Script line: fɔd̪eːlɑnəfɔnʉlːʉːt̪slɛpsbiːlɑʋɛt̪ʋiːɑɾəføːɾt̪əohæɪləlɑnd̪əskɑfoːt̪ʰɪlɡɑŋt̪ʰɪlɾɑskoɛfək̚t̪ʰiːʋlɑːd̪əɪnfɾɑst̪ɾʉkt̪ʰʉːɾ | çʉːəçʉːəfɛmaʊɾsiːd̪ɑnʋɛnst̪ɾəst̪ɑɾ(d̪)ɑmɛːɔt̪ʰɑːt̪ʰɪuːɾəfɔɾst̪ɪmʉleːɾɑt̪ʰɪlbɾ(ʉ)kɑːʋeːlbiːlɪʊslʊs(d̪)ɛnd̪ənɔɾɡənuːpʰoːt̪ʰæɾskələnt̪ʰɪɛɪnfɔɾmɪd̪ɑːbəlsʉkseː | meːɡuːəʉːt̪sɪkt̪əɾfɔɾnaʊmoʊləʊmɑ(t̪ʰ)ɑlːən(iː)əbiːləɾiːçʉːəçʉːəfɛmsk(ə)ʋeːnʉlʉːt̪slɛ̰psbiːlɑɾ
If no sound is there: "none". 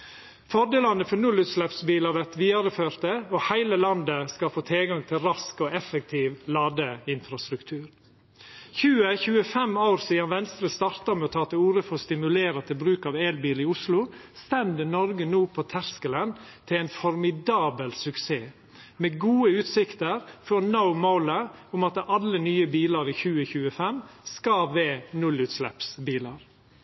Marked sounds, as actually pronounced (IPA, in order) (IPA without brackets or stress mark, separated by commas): t̪, ʉː, t̪, t̪, yː, ɑ